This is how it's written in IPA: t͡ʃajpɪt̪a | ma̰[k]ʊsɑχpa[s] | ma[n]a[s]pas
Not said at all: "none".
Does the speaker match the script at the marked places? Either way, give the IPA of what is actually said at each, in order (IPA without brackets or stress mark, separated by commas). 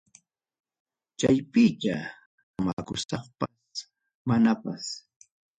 k, s, n, none